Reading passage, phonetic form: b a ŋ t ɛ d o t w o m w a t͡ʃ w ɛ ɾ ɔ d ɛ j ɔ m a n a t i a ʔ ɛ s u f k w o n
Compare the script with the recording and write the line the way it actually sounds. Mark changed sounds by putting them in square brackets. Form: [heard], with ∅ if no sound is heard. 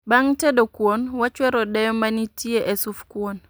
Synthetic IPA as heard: b a ŋ t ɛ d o [k] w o [n] w a t͡ʃ w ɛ ɾ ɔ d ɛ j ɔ m a n [i] t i [e] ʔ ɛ s u f k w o n